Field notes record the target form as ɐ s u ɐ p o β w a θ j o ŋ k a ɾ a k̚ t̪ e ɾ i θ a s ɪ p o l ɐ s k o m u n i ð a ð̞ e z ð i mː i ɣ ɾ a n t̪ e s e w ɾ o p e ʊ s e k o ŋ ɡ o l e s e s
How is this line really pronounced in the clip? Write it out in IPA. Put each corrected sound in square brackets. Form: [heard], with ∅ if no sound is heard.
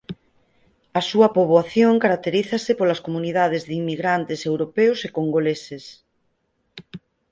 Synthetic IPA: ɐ s u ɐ p o β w a θ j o ŋ k a ɾ a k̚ t̪ e ɾ i θ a s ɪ p o l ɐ s k o m u n i ð a ð̞ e z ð i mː i ɣ ɾ a n t̪ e s e w ɾ o p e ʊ s e k o ŋ ɡ o l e s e s